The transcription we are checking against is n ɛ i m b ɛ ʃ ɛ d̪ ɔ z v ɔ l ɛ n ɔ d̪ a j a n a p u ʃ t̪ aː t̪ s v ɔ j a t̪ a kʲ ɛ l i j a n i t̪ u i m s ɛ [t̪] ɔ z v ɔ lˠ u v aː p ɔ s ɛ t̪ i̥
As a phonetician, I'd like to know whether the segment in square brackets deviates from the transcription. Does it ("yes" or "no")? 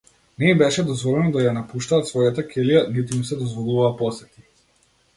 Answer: yes